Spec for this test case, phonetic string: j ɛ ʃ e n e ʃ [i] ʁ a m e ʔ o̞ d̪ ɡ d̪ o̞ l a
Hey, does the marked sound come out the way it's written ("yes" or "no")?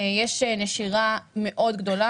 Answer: yes